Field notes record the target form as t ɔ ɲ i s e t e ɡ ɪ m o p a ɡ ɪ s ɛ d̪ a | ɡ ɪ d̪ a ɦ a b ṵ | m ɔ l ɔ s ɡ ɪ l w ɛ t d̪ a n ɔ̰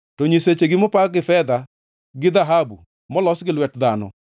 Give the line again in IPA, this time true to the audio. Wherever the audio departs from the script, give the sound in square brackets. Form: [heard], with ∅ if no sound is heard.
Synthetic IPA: t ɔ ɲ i s e [t͡ʃ] e ɡ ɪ m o p a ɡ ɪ [f] ɛ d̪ a | ɡ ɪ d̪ a ɦ a b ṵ | m ɔ l ɔ s ɡ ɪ l w ɛ t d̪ a n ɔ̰